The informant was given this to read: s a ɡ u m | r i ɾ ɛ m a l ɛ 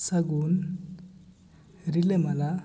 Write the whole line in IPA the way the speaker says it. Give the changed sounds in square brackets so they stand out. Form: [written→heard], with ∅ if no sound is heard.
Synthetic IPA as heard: s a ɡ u [m→n] | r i [ɾ→l] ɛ m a l [ɛ→a]